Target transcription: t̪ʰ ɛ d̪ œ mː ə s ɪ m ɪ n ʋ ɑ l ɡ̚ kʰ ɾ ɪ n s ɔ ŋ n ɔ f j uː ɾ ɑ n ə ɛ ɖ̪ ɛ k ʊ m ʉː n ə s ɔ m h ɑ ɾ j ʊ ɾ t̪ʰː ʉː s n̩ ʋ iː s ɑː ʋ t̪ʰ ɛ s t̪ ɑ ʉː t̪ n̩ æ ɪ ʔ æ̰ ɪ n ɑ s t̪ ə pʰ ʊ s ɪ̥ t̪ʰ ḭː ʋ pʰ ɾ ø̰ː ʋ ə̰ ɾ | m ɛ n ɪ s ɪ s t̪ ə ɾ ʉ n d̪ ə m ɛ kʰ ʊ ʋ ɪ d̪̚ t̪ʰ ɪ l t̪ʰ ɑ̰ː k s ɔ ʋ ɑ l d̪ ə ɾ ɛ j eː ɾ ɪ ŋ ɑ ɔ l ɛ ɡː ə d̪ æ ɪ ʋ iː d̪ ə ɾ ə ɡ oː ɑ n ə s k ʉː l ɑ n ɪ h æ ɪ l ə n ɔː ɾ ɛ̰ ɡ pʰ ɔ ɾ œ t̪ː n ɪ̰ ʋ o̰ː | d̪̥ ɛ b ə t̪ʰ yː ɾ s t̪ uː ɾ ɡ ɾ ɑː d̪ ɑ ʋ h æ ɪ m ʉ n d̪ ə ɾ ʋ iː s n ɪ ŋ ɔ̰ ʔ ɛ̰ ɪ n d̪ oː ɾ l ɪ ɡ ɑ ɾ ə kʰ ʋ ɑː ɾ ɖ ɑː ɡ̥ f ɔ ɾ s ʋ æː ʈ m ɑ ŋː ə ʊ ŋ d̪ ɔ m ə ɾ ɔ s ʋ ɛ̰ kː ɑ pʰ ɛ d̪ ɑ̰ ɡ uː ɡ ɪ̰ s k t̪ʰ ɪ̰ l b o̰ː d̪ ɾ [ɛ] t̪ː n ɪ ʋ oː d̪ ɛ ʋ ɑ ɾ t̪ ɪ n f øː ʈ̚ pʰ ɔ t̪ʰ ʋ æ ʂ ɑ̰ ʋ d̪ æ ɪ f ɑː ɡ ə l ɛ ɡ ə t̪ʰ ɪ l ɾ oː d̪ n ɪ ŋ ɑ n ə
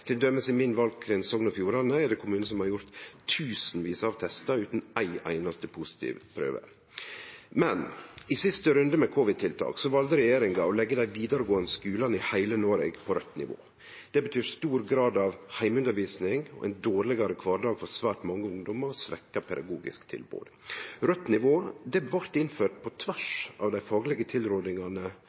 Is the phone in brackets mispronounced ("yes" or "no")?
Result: yes